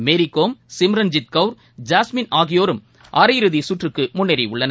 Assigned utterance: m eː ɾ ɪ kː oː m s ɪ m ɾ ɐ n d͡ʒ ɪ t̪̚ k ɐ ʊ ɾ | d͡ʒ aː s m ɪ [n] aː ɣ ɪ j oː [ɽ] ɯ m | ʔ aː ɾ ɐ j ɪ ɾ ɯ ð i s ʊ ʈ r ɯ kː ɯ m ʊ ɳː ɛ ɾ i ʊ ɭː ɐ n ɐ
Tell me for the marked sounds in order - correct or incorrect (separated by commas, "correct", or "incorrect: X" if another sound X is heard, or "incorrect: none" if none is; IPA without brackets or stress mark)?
correct, incorrect: ɾ